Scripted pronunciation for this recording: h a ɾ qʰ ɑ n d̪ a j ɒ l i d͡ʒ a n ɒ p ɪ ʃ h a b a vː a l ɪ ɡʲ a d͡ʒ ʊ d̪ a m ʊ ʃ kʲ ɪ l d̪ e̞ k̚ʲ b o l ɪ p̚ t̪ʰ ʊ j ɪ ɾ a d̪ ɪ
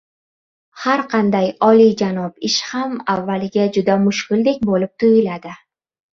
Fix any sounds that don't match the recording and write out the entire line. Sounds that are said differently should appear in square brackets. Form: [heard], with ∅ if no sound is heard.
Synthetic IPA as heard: h a ɾ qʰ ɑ n d̪ a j ɒ l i d͡ʒ a n ɒ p ɪ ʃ h a [m] a vː a l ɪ ɡʲ a d͡ʒ ʊ d̪ a m ʊ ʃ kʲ ɪ l d̪ e̞ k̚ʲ b o l ɪ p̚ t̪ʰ ʊ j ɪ [l] a d̪ ɪ